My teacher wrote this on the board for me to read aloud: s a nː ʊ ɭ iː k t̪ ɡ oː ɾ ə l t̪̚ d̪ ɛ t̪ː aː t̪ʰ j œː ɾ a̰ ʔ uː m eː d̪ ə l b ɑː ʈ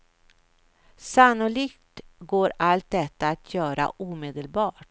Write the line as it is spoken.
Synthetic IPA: s a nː ʊ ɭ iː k t̪ ɡ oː ɾ a l t̪̚ d̪ ɛ t̪ː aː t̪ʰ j œː ɾ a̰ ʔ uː m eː d̪ ə l b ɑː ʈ